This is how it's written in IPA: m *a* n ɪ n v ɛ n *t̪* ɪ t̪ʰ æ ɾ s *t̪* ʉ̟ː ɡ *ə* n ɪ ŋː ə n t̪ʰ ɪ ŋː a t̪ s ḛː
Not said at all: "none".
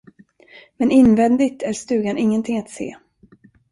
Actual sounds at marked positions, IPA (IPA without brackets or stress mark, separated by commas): ɛ, d̪, t̪, a